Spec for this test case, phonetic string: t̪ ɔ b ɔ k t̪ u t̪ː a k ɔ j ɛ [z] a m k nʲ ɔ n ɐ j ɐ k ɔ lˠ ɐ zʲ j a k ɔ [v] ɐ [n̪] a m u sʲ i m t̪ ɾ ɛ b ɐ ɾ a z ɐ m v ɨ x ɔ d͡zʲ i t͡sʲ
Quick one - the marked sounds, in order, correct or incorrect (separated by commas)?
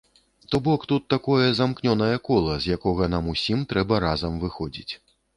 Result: correct, incorrect, correct